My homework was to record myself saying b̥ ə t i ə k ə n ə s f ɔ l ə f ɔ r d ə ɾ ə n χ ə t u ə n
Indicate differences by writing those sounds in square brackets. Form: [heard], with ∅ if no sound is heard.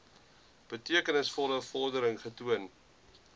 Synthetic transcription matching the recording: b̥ ə t i ə k ə n ə s f ɔ l ə f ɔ r d ə ɾ ə [ŋ] χ ə t u ə n